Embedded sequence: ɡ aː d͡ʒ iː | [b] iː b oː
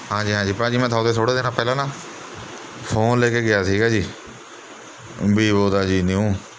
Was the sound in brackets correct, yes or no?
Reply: yes